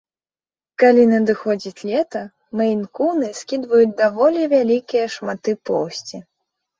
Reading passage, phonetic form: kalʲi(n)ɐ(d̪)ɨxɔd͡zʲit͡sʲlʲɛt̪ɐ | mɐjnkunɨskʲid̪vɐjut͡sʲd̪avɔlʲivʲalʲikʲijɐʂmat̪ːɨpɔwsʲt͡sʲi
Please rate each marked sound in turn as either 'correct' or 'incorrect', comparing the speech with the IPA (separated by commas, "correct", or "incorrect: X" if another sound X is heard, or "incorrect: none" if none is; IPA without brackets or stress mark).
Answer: correct, correct